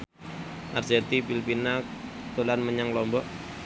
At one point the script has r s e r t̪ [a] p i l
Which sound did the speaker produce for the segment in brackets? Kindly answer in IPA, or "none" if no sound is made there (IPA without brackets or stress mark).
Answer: i